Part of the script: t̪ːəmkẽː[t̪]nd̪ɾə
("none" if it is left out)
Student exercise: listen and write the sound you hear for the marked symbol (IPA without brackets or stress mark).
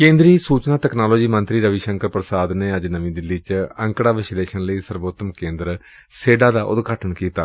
none